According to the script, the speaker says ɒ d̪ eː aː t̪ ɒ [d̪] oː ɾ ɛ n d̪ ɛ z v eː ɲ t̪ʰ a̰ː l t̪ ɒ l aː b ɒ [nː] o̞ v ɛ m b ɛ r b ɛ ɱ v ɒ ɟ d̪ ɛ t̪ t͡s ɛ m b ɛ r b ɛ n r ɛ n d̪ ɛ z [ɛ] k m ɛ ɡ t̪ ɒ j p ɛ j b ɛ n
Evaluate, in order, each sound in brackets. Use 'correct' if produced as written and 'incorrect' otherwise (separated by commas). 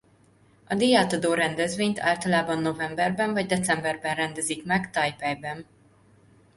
correct, correct, incorrect